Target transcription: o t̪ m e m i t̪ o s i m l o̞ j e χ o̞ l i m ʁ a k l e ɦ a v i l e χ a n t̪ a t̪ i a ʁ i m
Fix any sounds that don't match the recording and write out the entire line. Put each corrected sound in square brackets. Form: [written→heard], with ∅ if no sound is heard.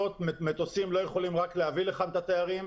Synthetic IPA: o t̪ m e m [i→e] t̪ o s i m l o̞ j e χ o̞ l i m ʁ a k l e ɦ a v i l e χ a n t̪ a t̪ [i→e] a ʁ i m